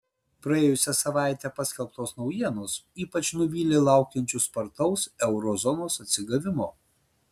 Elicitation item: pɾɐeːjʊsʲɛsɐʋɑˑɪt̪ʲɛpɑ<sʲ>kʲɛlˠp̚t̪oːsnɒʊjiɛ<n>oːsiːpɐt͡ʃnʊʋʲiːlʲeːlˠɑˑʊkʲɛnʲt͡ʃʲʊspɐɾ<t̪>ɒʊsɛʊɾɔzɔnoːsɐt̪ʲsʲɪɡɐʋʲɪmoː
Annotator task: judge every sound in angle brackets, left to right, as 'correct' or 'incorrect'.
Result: correct, correct, correct

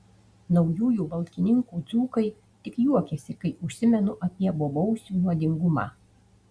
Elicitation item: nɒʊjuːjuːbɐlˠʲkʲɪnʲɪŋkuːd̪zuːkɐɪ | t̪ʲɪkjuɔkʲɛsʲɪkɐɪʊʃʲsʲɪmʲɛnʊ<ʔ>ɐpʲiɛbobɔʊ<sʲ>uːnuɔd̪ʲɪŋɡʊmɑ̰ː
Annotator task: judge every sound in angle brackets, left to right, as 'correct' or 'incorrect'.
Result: correct, correct

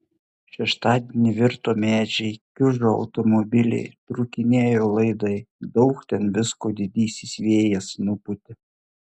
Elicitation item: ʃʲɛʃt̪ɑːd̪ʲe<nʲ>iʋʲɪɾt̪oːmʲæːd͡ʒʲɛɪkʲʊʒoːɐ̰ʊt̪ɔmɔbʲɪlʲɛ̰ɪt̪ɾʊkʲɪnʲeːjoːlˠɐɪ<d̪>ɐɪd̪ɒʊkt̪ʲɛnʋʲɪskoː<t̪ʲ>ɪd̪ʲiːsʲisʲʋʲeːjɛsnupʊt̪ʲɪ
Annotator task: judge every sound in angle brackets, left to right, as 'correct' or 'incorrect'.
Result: correct, correct, incorrect: d̪ʲ

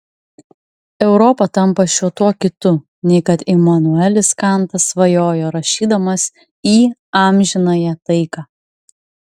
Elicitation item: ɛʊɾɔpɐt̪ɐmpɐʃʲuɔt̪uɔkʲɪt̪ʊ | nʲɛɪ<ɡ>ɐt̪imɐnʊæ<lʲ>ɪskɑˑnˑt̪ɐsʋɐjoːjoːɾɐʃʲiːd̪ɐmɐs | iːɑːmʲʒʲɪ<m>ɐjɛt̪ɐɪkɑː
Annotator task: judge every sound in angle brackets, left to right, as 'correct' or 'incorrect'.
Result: incorrect: k, correct, incorrect: n

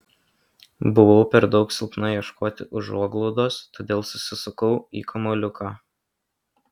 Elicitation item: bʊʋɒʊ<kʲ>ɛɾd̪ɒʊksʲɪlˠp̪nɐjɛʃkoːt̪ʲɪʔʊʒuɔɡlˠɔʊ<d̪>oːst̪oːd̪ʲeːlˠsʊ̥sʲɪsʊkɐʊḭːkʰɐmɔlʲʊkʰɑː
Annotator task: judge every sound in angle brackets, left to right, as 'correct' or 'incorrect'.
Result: incorrect: pʲ, correct

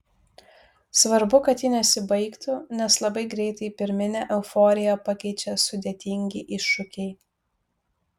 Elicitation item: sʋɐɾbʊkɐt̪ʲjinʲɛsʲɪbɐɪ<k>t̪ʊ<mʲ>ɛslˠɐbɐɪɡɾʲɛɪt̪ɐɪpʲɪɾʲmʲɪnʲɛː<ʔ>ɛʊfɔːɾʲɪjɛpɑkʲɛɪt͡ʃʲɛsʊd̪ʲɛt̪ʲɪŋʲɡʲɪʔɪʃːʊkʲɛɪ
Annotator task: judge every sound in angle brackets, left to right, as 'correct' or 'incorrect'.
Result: correct, incorrect: nʲ, correct

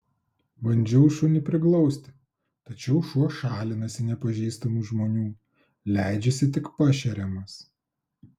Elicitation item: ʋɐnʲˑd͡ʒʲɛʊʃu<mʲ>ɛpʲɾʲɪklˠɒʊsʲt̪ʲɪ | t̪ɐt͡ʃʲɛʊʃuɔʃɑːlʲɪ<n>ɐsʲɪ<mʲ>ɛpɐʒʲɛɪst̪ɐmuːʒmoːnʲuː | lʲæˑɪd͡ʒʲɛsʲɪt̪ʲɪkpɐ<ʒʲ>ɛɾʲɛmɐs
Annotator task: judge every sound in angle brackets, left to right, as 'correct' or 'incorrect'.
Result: incorrect: nʲ, correct, incorrect: nʲ, incorrect: ʃʲ

